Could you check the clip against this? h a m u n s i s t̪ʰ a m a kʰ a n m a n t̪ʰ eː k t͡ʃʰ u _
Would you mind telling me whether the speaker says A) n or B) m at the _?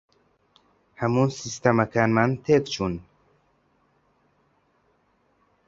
A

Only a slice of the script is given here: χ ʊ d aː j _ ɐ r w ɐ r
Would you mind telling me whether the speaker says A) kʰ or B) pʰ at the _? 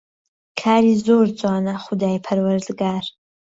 B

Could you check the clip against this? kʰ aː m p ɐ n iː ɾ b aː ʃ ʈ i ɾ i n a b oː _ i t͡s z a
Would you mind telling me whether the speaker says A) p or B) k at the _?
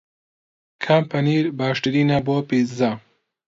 A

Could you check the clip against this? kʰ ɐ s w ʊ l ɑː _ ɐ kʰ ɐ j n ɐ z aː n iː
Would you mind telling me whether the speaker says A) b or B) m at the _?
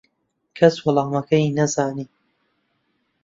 B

